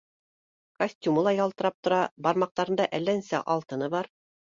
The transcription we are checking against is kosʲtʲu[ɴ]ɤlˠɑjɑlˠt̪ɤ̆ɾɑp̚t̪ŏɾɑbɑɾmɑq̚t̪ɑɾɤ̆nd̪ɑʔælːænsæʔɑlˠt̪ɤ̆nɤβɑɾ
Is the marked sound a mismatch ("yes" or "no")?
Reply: yes